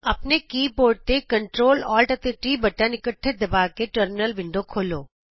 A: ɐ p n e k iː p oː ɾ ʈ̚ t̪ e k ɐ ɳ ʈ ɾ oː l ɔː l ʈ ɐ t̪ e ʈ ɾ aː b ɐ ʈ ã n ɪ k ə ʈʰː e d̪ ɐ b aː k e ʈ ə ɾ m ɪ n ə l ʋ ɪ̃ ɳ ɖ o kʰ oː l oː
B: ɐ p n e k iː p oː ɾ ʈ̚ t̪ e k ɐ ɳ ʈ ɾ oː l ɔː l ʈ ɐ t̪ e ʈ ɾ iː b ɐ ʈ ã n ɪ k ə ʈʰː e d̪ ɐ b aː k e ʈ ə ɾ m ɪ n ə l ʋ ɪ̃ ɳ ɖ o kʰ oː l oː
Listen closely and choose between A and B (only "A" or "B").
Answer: B